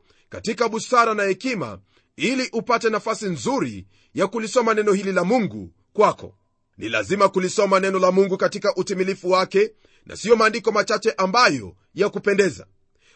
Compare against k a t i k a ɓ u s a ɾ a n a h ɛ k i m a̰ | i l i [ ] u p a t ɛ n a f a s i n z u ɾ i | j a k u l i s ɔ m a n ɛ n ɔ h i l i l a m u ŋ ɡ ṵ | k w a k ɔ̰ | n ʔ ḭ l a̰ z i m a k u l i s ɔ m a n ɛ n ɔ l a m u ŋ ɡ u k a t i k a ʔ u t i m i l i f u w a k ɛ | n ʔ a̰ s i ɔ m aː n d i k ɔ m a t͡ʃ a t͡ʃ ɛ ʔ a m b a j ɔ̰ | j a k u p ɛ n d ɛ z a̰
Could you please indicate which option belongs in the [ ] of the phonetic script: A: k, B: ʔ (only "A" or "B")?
B